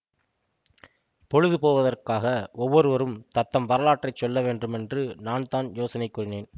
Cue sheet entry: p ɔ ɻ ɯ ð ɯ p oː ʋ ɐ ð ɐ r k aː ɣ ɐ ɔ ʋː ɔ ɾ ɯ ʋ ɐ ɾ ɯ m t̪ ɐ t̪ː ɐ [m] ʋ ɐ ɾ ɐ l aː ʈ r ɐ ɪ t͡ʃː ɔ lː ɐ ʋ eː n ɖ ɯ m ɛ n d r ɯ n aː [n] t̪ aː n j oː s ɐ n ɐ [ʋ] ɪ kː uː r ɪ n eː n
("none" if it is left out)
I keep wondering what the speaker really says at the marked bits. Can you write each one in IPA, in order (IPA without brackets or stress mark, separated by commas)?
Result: m, n, none